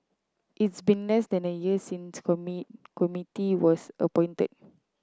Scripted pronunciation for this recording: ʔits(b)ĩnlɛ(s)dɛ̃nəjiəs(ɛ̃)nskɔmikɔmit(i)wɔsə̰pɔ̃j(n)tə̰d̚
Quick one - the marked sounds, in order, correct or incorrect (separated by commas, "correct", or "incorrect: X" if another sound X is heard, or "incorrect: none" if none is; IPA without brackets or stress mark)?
correct, correct, incorrect: ĩ, correct, correct